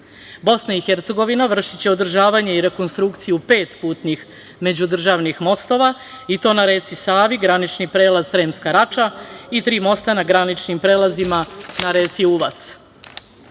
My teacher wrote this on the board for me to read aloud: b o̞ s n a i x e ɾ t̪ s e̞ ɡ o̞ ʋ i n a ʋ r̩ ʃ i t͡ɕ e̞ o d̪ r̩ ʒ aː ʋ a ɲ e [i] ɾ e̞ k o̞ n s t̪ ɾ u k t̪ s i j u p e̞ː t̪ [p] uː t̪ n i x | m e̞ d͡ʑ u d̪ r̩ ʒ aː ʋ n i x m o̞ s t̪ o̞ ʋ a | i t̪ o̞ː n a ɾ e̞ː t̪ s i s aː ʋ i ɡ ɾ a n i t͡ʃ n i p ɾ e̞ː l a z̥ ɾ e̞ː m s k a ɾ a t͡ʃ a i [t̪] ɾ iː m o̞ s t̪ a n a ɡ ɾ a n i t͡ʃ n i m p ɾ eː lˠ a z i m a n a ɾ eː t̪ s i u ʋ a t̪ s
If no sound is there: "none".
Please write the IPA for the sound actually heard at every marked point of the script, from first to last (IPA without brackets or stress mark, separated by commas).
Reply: i, p, t̪